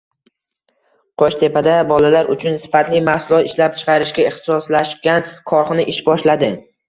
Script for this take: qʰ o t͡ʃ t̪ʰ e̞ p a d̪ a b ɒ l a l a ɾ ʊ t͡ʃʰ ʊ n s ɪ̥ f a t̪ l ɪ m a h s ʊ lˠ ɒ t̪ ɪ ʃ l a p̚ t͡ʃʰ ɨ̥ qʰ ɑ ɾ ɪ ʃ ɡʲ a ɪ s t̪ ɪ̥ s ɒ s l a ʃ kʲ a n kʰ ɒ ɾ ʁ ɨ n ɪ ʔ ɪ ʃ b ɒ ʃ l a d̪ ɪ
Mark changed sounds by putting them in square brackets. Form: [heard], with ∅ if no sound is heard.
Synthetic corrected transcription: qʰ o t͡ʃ t̪ʰ e̞ p a d̪ a b ɒ l a l a ɾ ʊ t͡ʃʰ ʊ n s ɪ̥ f a t̪ l ɪ m a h s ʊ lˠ ɒ t̪ ɪ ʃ l a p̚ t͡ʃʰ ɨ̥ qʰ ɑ ɾ ɪ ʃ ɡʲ a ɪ [χ] t̪ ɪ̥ s ɒ s l a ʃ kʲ a n kʰ ɒ ɾ [χ] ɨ n ɪ ʔ ɪ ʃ b ɒ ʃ l a d̪ ɪ